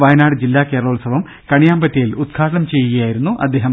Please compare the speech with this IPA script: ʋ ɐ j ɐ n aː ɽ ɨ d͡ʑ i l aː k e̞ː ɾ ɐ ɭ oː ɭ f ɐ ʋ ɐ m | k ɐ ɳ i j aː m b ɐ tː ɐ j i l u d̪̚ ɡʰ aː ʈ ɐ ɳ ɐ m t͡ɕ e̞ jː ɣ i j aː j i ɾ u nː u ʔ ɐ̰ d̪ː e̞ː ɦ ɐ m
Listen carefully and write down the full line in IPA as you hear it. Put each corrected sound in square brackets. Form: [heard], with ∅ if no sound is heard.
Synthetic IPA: ʋ ɐ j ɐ n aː ɽ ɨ d͡ʑ i [lː] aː k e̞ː ɾ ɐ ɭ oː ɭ [s] ɐ ʋ ɐ m | k ɐ ɳ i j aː m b ɐ tː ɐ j i l u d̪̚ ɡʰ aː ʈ ɐ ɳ ɐ m t͡ɕ e̞ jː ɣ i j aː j i ɾ u nː u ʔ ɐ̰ d̪ː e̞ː ɦ ɐ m